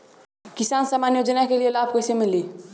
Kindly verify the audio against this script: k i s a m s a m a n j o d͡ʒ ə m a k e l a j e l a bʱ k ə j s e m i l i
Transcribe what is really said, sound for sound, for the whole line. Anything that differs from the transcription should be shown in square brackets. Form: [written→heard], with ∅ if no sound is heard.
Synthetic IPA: k i s a [m→n] s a m a n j o d͡ʒ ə [m→n] a k e l [a→i] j e l a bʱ k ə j s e m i l i